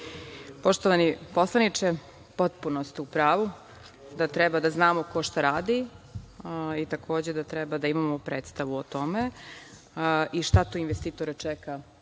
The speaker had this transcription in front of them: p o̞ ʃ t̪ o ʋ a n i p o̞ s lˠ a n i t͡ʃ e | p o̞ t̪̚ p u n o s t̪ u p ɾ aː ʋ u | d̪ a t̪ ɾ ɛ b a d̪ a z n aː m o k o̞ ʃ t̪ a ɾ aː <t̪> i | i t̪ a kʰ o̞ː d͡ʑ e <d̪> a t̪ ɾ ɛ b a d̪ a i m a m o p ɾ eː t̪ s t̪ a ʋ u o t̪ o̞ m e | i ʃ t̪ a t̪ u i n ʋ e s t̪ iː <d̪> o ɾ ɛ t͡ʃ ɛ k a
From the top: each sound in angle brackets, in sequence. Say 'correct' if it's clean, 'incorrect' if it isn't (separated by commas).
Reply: incorrect, correct, incorrect